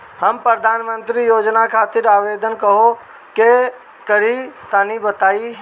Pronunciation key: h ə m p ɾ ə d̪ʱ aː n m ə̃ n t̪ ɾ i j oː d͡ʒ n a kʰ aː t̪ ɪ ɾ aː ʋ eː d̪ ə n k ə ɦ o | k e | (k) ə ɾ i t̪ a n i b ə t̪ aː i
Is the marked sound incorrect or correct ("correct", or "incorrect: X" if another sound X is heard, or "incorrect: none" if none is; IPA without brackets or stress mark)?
correct